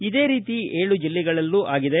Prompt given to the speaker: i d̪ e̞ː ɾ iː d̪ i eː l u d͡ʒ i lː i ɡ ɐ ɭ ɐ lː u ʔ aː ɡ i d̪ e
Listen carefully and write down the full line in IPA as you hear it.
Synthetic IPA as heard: i d̪ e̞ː ɾ iː t̪ i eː ɭ u d͡ʒ i lː i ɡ ɐ ɭ ɐ lː u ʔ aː ɡ i d̪ e